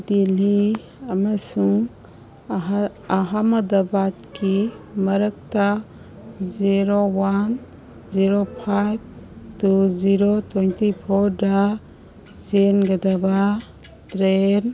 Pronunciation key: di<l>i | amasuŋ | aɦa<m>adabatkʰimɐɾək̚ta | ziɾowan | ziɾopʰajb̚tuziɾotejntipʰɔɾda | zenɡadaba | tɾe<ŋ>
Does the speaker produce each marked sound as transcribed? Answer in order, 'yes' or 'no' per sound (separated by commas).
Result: yes, yes, no